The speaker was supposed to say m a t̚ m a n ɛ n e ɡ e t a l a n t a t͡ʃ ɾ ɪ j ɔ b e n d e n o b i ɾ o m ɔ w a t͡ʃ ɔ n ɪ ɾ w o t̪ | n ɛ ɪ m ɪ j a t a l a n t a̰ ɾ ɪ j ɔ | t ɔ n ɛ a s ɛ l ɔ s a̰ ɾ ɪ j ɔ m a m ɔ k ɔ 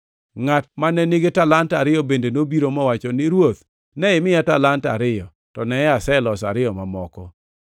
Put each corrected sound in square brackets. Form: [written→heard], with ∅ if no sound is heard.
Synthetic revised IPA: [m→ŋ] a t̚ m a n ɛ n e ɡ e t a l a n t a [t͡ʃ→∅] ɾ ɪ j ɔ b e n d e n o b i ɾ o m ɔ w a t͡ʃ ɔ n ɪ ɾ w o t̪ | n ɛ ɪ m ɪ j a t a l a n t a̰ ɾ ɪ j ɔ | t ɔ n ɛ a s ɛ l ɔ s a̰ ɾ ɪ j ɔ m a m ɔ k ɔ